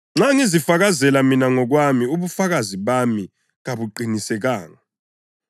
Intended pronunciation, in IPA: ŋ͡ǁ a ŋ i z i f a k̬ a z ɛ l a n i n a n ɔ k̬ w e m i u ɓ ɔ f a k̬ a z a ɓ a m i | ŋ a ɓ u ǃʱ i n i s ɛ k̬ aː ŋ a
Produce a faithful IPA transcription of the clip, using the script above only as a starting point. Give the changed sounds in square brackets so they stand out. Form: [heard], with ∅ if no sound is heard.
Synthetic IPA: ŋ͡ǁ a ŋ i z i f a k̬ a z ɛ l a [m] i n a [ŋ] ɔ k̬ w [a] m i u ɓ [u] f a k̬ a z [i] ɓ a m i | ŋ a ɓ u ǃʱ i n i s ɛ k̬ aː ŋ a